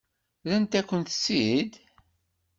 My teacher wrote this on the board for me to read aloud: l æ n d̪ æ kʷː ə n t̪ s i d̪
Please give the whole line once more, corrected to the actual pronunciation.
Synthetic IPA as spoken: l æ n t̪ æ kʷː ə n t̪ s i d̪